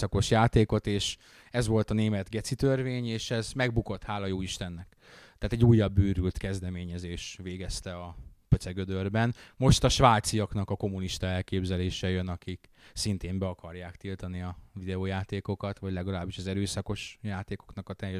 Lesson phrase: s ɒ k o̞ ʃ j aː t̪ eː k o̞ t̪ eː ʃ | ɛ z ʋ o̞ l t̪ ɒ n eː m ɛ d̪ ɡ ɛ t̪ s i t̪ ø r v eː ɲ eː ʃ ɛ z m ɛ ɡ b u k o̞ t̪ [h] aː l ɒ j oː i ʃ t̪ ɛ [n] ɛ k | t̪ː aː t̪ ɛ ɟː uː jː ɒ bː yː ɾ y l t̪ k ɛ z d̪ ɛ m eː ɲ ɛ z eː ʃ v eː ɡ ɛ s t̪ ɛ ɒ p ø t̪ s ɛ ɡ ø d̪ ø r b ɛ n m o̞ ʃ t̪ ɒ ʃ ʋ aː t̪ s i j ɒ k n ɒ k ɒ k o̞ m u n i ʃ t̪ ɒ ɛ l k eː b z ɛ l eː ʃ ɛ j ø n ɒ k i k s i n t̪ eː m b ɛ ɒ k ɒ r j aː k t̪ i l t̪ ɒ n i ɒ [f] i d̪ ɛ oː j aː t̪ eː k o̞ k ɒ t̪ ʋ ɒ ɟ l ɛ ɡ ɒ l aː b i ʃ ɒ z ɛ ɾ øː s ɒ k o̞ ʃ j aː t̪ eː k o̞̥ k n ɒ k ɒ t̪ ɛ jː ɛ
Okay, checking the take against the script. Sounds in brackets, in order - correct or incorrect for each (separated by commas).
correct, incorrect, incorrect